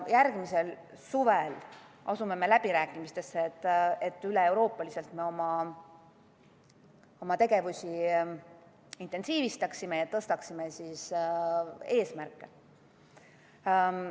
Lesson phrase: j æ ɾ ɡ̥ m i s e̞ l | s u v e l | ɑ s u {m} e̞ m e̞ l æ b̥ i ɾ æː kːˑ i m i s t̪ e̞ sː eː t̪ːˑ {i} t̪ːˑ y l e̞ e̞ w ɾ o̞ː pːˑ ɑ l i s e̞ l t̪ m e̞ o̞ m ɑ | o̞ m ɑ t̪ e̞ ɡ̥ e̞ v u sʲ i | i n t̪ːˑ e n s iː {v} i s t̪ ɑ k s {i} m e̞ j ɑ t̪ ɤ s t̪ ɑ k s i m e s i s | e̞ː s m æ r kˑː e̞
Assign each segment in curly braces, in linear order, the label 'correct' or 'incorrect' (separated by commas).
correct, incorrect, correct, correct